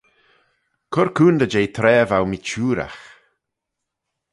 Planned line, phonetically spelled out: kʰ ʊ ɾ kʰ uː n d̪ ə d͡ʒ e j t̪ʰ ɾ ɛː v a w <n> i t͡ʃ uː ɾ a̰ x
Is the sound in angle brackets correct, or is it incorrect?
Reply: incorrect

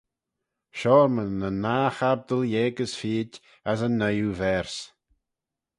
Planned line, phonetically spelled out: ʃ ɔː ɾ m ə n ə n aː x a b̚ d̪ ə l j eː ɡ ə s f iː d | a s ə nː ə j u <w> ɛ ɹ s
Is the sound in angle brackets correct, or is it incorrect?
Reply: incorrect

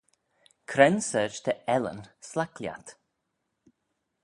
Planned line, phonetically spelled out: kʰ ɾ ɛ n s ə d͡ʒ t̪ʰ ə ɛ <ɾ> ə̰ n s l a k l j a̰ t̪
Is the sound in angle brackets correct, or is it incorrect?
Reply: incorrect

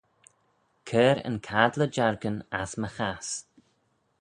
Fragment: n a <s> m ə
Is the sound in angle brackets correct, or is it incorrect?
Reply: correct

